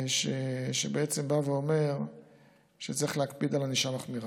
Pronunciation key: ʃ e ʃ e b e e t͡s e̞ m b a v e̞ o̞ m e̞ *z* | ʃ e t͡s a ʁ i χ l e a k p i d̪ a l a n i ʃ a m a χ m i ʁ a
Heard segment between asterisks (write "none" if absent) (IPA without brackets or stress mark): ʁ